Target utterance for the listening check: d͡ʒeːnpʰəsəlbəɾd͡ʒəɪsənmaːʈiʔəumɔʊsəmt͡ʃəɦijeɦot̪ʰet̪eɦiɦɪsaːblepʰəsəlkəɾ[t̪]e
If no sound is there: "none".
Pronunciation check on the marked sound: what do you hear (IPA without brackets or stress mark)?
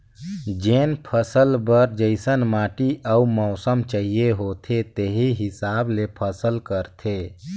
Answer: t̪ʰ